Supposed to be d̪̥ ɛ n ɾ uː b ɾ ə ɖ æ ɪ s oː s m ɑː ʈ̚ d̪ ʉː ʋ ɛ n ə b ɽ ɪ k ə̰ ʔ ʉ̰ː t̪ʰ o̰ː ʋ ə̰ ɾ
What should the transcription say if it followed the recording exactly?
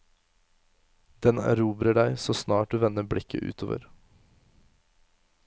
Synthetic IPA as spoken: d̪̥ ɛ n ɾ uː b ɾ ə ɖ æ ɪ s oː s n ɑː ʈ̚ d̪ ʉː ʋ ɛ n ə b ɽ ɪ k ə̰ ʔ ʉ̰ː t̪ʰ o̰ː ʋ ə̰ ɾ

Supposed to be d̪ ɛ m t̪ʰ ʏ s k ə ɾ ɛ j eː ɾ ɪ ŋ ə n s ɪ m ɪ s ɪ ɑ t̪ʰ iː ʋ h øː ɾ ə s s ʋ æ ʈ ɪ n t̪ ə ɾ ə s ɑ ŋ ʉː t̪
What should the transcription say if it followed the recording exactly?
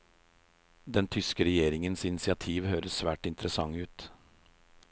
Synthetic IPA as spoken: d̪ ɛ n t̪ʰ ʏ s k ə ɾ ɛ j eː ɾ ɪ ŋ ə n s ɪ n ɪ s ɪ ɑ t̪ʰ iː ʋ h øː ɾ ə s s ʋ æː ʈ ɪ n t̪ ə ɾ ə s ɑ ŋ ʉː t̪

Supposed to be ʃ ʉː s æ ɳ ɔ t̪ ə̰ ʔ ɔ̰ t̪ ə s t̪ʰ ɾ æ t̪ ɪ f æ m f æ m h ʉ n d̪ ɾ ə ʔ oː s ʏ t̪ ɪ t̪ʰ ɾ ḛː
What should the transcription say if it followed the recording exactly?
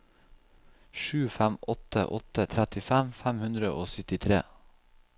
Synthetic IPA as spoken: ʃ ʉː f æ m ɔ t̪ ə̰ ʔ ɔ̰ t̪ ə t̪ʰ ɾ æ t̪ ɪ f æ m f æ m h ʉ n d̪ ɾ ə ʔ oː s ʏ t̪ ɪ t̪ʰ ɾ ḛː

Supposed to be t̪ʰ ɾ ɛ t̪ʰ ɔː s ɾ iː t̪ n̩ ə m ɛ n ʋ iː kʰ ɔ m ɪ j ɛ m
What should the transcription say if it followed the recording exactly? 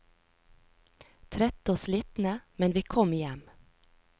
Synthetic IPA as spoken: t̪ʰ ɾ ɛ t̪ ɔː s l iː t̪ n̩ ə m ɛ n ʋ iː kʰ ɔ m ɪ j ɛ m

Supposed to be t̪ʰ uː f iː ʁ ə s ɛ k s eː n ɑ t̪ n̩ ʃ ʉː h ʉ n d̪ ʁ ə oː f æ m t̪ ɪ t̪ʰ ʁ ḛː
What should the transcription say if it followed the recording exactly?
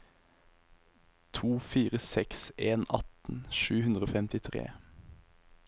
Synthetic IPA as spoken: t̪ʰ uː f iː ʁ ə s ɛ k s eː n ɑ t̪ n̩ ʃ ʉː h ʉ n d̪ ʁ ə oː f ɛ m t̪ ɪ t̪ʰ ʁ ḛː

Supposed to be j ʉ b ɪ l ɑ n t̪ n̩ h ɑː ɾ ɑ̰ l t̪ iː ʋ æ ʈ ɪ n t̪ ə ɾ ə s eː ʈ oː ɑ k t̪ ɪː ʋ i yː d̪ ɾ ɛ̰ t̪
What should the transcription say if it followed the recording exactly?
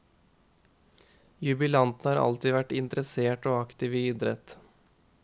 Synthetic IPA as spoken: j ʉ b ɪ l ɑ n t̪ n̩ h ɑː ɾ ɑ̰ l t̪ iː ʋ æ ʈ ɪ n t̪ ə ɾ ə s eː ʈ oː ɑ k t̪ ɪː ʋ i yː d̪ ɾ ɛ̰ t̪

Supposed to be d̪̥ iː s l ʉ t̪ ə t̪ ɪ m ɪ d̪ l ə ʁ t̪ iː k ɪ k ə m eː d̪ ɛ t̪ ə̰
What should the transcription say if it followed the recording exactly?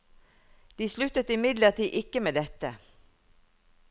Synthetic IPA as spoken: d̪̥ iː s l ʉ t̪ ə t̪ ɪ m ɪ d̪ l ə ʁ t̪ iː ʔ ɪ k ə m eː d̪ ɛ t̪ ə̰

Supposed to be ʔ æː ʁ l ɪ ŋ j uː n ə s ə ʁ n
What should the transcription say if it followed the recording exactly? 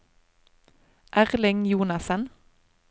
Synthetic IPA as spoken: ʔ æ ʁ l ɪ ŋ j uː n ɑ s ə n

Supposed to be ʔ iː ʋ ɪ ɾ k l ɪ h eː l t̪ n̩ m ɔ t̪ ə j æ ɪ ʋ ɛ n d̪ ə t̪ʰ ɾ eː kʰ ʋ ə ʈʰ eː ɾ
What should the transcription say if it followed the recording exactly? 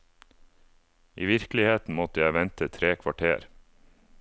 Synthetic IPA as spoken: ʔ iː ʋ ɪ ɾ k l ɪ h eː t̪ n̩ m ɔ t̪ ə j æ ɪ ʋ ɛ n t̪ ə t̪ʰ ɾ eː kʰ ʋ ɑ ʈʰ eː ɾ

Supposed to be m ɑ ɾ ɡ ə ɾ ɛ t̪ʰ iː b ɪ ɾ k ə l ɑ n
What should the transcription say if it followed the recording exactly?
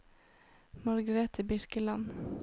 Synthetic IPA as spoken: m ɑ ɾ ɡ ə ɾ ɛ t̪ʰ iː b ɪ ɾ k ə l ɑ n

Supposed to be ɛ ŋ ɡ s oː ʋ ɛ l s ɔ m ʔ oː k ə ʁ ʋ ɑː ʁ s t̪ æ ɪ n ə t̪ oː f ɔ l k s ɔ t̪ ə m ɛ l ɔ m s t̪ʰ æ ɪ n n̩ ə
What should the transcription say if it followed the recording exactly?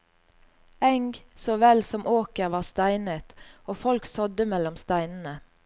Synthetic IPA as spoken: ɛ ŋ ɡ s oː ʋ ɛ l s ɔ m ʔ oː k ə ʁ ʋ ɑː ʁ s t̪ æ ɪ n ə t̪ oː f ɔ l k s ɔ d̪ ə m ɛ l ɔ m s t̪ æ ɪ n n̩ ə

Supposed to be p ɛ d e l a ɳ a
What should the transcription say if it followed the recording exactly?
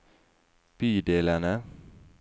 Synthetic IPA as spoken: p i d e l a n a

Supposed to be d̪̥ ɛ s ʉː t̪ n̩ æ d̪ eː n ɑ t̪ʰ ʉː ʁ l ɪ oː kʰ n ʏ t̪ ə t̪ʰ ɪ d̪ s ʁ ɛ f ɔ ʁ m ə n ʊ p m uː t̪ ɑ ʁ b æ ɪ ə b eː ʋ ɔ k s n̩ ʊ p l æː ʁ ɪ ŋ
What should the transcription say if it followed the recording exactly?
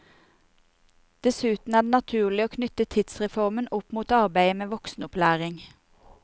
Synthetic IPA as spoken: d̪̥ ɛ s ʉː t̪ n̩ æ d̪ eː n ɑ t̪ʰ ʉː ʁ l ɪ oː kʰ n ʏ t̪ ə t̪ʰ ɪ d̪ s ʁ ɛ f ɔ ʁ m ə n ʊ p m uː t̪ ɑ ʁ b æ ɪ ə m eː ʋ ɔ k s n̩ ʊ p l æː ʁ ɪ ŋ

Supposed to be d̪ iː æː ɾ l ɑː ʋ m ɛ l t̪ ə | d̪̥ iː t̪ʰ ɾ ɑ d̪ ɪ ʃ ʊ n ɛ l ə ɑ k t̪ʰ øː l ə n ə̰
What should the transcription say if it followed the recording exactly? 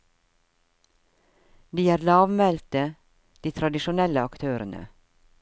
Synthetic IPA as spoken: d̪ iː æː ɾ l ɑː ʋ m ɛ l t̪ ə | d̪̥ iː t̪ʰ ɾ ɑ d̪ ɪ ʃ ʊ n ɛ l ə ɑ k t̪ʰ øː ɾ ə n ə̰

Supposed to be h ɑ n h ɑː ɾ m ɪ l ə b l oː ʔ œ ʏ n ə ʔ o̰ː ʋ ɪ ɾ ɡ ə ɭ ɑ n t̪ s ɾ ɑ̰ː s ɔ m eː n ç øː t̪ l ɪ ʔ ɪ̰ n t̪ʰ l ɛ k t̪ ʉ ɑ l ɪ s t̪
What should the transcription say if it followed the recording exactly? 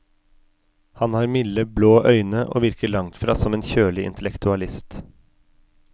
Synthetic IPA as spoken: h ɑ n h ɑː ɾ m ɪ l ə b l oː ʔ œ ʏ n ə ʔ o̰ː ʋ ɪ ɾ k ə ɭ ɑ ŋ t̪ f ɾ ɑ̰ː s ɔ m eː n ç øː l ɪ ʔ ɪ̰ n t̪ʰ l ɛ k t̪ ʉ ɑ l ɪ s t̪

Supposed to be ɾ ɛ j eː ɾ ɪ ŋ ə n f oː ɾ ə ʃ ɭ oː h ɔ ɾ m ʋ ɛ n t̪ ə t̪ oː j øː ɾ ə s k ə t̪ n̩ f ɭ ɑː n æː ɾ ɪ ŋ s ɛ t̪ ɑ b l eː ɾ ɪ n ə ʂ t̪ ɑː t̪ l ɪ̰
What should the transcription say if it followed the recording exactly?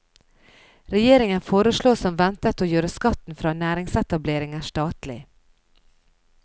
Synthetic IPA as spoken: ɾ ɛ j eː ɾ ɪ ŋ ə n f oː ɾ ə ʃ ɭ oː s ɔ m ʋ ɛ n t̪ ə t̪ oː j øː ɾ ə s k ɑ t̪ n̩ f ɾ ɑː n æː ɾ ɪ ŋ s ɛ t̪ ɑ b l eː ɾ ɪ ŋ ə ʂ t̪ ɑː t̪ l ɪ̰

